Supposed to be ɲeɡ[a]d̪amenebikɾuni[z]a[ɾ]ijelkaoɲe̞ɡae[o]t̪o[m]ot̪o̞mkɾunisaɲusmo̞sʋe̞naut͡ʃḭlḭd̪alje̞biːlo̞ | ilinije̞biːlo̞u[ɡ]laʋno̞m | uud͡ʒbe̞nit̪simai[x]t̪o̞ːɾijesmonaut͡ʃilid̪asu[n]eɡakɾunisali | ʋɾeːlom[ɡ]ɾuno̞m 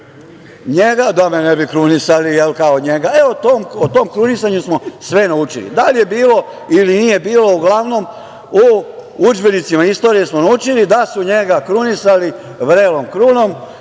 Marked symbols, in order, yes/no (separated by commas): yes, no, no, yes, yes, yes, no, no, no